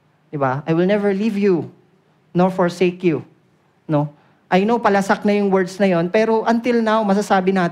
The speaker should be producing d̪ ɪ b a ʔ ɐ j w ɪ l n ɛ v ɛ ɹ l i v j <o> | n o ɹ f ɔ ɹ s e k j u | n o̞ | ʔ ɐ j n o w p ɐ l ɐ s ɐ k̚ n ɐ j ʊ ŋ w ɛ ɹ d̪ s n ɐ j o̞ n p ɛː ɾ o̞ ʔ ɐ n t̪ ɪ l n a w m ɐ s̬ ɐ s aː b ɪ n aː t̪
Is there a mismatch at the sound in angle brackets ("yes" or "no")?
yes